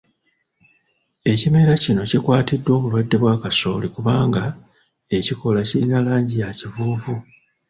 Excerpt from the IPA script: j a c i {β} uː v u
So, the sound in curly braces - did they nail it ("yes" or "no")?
no